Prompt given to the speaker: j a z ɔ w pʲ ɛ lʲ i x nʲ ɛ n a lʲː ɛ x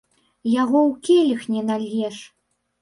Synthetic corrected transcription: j a ɣ ɔ w kʲ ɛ lʲ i x nʲ ɛ n a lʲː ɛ ʂ